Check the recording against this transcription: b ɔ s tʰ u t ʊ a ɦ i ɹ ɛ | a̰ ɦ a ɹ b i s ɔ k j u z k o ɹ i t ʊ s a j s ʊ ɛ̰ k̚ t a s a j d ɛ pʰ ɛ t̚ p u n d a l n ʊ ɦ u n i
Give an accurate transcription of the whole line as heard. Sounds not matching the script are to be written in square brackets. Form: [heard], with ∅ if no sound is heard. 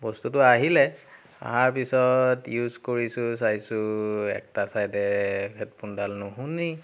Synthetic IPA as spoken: b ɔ s [t] u t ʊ a ɦ i [l] ɛ | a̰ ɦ a ɹ [p] i s ɔ [t] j u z k o ɹ i [s] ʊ s a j s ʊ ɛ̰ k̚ t a s a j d ɛ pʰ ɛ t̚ p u n d a l n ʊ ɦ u n i